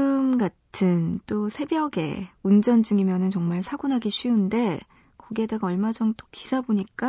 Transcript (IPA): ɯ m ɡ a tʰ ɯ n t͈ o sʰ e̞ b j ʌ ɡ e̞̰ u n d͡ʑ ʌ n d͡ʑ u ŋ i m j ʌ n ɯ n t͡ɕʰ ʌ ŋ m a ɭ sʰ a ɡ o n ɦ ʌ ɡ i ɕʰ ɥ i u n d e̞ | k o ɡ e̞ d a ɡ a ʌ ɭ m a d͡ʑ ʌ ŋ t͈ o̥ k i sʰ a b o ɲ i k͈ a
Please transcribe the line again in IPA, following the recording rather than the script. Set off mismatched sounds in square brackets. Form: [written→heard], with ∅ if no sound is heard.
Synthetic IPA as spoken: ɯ m ɡ a tʰ ɯ n t͈ o sʰ e̞ b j ʌ ɡ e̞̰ u n d͡ʑ ʌ n d͡ʑ u ŋ i m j ʌ n ɯ n [t͡ɕʰ→t͡ɕ] ʌ ŋ m a ɭ sʰ a ɡ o n ɦ [ʌ→a] ɡ i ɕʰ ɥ i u n d e̞ | k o ɡ e̞ d a ɡ a ʌ ɭ m a d͡ʑ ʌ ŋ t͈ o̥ k i sʰ a b o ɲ i k͈ a